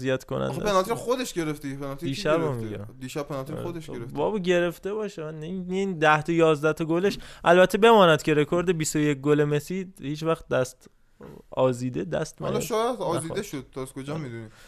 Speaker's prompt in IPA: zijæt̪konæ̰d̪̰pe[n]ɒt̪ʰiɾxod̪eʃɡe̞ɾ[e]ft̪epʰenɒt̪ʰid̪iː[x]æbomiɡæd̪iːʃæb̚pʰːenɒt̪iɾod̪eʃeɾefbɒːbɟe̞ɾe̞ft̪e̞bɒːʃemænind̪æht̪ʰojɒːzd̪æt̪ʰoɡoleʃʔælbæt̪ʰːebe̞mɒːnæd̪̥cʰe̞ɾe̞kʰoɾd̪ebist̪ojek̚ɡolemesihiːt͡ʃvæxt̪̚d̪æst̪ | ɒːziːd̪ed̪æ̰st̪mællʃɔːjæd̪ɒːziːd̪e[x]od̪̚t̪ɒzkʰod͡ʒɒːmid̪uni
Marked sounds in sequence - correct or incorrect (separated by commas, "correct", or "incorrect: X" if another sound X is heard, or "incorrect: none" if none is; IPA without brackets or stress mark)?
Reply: correct, correct, incorrect: ʃ, incorrect: ʃ